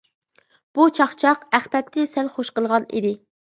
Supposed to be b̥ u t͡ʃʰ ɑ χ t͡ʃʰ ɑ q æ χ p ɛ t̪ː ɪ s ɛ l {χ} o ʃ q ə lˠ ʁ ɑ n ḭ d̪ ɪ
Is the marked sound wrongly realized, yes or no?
no